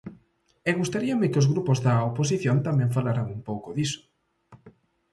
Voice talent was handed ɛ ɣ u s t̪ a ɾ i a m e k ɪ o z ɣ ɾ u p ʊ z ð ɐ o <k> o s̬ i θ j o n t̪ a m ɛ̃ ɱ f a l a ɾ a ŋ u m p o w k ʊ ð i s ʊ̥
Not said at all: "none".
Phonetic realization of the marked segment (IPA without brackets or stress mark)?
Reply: p